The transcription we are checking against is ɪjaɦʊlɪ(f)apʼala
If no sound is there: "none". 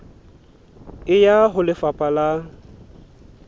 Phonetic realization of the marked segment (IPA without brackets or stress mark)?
f